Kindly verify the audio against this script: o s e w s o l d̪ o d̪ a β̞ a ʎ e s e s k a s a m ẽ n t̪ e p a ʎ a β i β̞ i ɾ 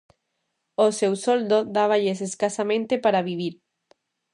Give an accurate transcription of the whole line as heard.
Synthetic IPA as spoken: o s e w s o l d̪ o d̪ a β̞ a ʎ e s e s k a s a m ẽ n t̪ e p a ɾ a β i β̞ i ɾ